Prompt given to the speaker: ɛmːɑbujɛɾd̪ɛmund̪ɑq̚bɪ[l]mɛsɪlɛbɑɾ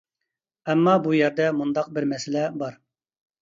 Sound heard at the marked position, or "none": ɾ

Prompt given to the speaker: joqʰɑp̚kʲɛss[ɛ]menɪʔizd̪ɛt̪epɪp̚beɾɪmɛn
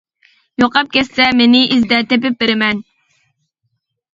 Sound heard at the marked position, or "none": ɛ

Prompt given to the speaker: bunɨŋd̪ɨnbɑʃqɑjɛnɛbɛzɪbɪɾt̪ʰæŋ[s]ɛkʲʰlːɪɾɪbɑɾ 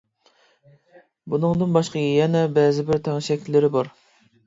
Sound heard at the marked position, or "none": ʃ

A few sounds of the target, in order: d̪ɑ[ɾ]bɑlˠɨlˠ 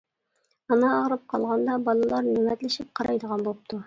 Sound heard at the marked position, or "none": none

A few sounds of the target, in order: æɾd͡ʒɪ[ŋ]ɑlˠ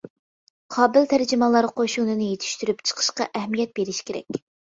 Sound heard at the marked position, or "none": m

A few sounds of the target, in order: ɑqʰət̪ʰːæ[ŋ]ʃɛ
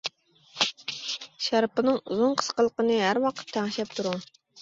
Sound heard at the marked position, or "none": ŋ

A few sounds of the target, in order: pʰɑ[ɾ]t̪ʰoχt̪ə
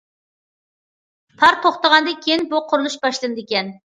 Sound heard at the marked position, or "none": ɾ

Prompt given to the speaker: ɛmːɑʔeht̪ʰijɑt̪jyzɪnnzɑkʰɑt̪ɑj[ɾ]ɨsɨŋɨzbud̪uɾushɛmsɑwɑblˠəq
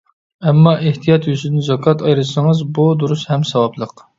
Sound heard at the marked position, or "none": ɾ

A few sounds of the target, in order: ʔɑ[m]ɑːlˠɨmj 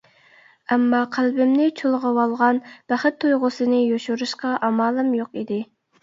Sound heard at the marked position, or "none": m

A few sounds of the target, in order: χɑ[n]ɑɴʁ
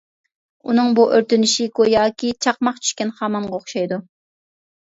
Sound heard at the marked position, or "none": m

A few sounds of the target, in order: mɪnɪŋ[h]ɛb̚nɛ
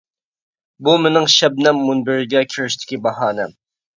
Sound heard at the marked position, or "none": ʃ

